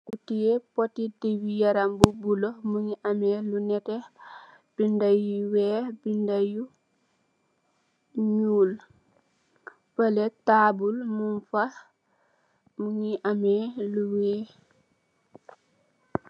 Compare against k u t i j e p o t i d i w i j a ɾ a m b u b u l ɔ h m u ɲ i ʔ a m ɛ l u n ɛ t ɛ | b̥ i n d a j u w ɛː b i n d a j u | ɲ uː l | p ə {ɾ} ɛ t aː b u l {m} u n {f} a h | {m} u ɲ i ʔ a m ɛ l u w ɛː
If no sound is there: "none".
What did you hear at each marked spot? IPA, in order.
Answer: l, m, f, m

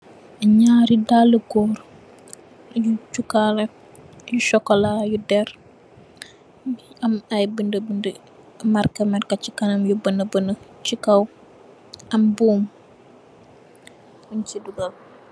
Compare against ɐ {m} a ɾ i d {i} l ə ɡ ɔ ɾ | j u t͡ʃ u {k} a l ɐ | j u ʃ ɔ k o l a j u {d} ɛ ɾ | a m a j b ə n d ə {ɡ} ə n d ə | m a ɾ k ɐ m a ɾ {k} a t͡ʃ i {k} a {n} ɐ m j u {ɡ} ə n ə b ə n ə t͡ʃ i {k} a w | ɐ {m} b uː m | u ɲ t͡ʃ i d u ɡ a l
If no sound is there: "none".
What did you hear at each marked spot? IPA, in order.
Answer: ɲ, a, k, d, b, k, k, n, b, k, m

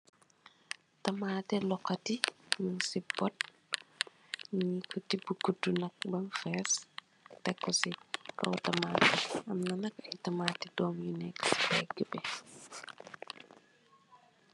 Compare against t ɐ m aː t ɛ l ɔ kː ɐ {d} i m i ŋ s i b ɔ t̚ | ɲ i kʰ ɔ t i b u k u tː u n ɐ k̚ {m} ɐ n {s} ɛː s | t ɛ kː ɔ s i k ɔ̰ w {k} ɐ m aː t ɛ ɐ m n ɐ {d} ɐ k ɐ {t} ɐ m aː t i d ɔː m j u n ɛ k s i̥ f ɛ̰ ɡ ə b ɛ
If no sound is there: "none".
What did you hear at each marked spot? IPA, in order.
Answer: t, b, f, t, n, t

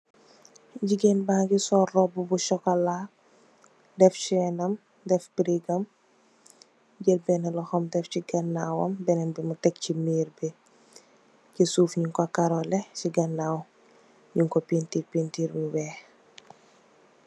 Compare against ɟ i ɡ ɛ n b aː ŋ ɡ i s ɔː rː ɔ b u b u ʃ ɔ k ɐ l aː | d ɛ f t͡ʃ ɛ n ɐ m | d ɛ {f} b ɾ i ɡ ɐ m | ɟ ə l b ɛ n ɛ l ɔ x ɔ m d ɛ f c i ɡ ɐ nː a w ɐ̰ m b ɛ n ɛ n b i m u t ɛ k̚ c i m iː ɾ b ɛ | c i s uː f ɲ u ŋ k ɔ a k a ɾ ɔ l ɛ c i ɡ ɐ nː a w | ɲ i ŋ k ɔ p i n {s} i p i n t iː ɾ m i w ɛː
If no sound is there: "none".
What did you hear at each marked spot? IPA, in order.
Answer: f, t

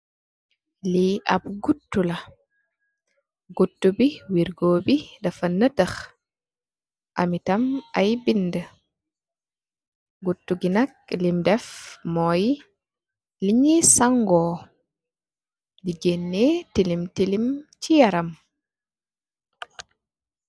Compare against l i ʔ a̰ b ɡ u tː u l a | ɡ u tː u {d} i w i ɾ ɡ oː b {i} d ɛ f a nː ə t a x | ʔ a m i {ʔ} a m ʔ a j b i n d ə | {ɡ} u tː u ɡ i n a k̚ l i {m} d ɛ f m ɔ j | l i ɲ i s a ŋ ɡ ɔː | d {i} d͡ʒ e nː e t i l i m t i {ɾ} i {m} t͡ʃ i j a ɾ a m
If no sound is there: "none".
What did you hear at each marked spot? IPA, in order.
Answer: b, i, t, ɡ, m, i, l, m

